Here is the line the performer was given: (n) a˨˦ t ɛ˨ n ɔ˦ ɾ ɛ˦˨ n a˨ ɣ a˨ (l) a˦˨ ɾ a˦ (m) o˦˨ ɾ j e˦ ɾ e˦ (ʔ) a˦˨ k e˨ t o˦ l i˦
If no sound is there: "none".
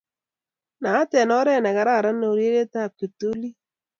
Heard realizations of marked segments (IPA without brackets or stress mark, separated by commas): n, ɾ, n, t